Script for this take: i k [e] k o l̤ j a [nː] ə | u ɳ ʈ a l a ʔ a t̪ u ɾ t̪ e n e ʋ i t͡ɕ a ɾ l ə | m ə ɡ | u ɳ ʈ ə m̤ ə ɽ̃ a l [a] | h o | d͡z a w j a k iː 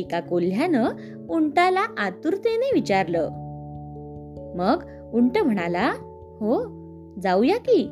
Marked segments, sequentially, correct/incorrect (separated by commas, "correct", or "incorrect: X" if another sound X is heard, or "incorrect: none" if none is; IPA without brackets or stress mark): incorrect: a, incorrect: n, correct